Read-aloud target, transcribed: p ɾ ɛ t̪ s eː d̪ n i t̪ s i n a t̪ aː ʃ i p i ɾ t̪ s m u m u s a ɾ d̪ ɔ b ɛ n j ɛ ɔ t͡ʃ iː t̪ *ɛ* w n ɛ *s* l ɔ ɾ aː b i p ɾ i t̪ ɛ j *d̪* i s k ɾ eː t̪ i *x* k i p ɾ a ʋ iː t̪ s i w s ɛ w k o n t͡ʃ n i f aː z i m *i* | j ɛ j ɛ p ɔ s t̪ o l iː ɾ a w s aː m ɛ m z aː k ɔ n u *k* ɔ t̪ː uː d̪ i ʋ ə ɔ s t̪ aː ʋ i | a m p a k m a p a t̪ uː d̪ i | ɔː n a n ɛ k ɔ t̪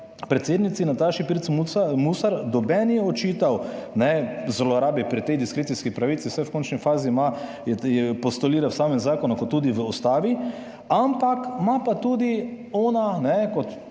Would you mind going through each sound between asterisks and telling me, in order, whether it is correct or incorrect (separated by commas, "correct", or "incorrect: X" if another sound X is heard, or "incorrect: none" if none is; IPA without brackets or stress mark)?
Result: incorrect: a, incorrect: z, correct, incorrect: s, incorrect: a, correct